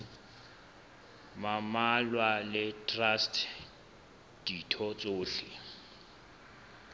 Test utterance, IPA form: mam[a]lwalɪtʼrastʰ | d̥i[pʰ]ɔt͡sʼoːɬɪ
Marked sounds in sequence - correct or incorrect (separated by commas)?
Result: correct, incorrect